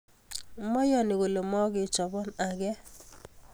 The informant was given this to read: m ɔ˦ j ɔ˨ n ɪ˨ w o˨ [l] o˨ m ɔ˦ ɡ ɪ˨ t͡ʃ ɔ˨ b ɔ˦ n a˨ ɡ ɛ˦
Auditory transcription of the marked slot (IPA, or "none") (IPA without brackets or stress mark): l